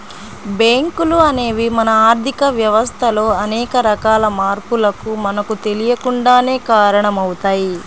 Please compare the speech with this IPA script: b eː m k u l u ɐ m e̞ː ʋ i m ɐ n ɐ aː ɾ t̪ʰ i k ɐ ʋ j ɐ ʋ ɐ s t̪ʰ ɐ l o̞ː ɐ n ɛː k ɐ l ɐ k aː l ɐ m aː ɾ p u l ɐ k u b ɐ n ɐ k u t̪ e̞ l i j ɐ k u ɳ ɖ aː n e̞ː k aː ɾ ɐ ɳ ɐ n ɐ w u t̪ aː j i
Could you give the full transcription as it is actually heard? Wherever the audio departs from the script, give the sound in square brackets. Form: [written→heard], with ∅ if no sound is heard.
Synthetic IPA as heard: b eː [m→ŋ] k u l u ɐ [m→n] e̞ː ʋ i m ɐ n ɐ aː ɾ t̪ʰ i k ɐ ʋ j ɐ ʋ ɐ s t̪ʰ ɐ l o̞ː ɐ n ɛː k ɐ [l→ɾ] ɐ k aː l ɐ m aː ɾ p u l ɐ k u [b→m] ɐ n ɐ k u t̪ e̞ l i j ɐ k u ɳ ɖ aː n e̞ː k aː ɾ ɐ ɳ ɐ [n→m] ɐ w u t̪ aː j i